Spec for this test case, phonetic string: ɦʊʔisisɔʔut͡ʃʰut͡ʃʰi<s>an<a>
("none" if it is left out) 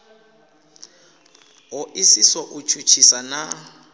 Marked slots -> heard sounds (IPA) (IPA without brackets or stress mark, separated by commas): s, a